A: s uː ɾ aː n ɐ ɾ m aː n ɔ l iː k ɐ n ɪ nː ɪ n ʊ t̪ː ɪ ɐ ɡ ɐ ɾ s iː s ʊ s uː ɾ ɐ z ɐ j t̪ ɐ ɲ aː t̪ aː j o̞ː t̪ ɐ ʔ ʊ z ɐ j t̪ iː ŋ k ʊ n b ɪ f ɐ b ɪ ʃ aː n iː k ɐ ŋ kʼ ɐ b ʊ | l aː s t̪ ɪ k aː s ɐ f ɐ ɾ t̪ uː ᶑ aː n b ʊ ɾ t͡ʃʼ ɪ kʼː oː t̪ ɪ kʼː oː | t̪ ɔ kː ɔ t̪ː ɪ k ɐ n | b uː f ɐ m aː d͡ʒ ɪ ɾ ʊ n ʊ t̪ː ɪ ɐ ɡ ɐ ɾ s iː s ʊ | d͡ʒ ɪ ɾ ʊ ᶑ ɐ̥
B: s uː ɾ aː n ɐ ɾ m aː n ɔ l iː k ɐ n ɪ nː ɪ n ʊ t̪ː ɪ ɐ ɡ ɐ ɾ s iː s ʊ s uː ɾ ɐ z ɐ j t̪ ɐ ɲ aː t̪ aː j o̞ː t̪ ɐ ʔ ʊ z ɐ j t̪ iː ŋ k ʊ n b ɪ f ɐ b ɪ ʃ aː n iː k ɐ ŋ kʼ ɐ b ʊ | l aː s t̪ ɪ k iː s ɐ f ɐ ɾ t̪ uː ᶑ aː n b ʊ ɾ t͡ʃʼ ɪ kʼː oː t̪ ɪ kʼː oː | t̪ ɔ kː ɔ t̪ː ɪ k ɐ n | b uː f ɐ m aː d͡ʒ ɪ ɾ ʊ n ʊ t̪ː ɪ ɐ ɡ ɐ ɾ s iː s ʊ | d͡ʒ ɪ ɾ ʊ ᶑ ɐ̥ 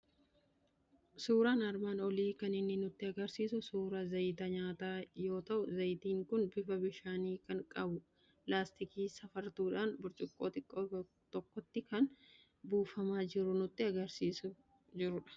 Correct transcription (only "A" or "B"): B